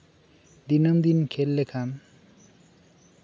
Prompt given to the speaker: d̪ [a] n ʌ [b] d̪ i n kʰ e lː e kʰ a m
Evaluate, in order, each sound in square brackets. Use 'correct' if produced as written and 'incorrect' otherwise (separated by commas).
incorrect, incorrect